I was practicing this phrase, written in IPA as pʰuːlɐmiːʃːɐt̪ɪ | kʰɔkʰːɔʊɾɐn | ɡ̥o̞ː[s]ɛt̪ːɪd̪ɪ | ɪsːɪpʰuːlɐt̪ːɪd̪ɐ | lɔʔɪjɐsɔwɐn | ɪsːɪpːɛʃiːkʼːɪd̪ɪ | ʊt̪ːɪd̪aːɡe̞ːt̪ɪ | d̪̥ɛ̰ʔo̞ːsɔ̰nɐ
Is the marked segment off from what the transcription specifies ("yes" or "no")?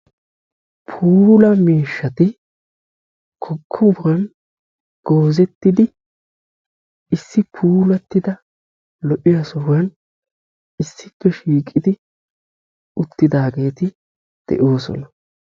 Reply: yes